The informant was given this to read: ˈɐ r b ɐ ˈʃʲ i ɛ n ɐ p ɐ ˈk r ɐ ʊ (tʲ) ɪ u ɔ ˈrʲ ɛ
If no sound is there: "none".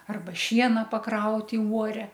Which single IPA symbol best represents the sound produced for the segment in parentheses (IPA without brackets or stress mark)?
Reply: tʲ